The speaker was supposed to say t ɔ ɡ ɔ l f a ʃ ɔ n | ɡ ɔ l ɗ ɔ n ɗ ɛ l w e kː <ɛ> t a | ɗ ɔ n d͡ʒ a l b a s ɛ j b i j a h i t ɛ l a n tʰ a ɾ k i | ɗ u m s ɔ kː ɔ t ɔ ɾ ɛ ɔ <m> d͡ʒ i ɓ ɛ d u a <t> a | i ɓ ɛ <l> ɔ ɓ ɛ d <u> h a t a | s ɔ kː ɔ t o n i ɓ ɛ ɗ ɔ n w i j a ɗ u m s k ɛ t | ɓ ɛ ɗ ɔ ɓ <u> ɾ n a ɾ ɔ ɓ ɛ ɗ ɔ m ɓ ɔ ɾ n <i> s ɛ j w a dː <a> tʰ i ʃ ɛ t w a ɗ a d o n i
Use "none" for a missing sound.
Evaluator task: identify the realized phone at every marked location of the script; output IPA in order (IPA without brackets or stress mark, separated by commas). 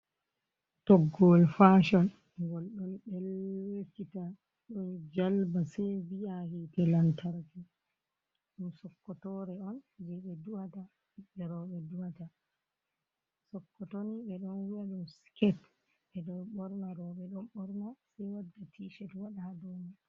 i, n, t, ɾ, u, ɔ, a, a